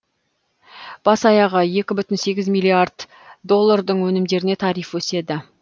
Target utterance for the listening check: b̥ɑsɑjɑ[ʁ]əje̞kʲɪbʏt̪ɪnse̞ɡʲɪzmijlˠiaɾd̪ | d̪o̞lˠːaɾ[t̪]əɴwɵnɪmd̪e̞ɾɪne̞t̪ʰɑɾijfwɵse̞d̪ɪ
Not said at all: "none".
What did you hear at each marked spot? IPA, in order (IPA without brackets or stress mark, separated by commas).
ʁ, d̪